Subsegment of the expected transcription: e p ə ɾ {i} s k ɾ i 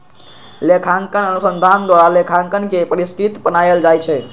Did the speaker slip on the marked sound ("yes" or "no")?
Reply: no